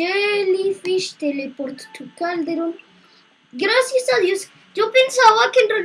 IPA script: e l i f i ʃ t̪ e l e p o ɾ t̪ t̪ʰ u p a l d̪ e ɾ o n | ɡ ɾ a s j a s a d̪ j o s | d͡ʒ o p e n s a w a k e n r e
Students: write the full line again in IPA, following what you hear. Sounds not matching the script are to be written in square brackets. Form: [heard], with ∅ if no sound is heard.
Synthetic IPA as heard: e l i f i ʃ t̪ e l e p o ɾ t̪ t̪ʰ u [k] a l d̪ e ɾ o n | ɡ ɾ a s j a s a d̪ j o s | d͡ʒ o p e n s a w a k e n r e